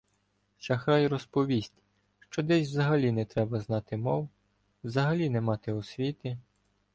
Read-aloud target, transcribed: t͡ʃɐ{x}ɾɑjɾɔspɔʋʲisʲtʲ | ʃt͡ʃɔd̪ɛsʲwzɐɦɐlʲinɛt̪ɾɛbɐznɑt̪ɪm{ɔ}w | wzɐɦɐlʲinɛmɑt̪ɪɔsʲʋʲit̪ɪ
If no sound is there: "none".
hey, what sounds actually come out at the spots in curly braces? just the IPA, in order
x, ɔ

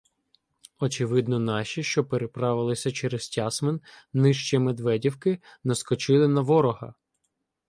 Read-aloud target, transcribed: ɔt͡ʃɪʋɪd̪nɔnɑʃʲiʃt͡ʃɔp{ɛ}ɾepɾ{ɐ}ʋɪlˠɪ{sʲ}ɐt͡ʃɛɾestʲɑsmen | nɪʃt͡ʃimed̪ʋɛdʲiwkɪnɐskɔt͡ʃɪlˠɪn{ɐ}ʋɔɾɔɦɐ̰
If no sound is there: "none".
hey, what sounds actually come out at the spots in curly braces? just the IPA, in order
e, ɑ, sʲ, ɐ

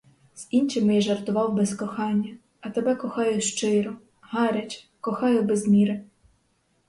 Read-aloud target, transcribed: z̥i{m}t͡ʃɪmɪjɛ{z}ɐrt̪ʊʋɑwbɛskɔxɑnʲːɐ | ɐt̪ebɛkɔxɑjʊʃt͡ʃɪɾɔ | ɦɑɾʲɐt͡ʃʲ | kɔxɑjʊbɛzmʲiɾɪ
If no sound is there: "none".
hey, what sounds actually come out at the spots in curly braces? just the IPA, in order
n, ʒ

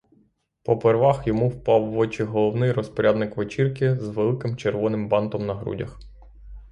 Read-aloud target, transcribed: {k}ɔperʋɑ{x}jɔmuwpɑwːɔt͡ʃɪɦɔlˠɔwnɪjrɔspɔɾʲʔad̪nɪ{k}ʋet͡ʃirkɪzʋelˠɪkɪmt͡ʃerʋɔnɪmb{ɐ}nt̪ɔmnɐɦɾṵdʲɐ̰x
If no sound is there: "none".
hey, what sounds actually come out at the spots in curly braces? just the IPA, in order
p, x, k, ɑ

